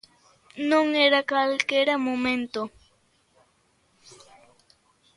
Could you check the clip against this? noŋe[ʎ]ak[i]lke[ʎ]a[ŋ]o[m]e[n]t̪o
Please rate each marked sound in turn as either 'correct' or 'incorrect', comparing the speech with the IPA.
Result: incorrect: ɾ, incorrect: a, incorrect: ɾ, incorrect: m, correct, correct

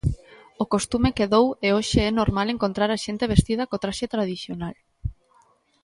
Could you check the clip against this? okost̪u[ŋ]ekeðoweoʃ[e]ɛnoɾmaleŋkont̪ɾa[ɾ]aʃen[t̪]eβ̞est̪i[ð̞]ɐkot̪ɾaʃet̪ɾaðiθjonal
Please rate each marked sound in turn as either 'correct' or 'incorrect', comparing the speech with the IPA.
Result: incorrect: m, correct, correct, correct, correct

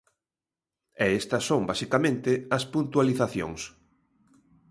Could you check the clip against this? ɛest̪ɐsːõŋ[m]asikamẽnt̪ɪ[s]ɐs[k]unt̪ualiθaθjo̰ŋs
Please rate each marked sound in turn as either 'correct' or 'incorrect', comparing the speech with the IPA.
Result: incorrect: b, incorrect: none, incorrect: p

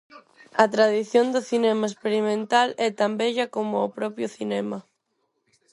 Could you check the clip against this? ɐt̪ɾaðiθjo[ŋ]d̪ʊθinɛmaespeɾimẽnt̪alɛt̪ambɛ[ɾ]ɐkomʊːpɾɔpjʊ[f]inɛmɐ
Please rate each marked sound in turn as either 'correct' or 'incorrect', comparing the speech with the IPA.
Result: incorrect: n, incorrect: ʎ, incorrect: θ

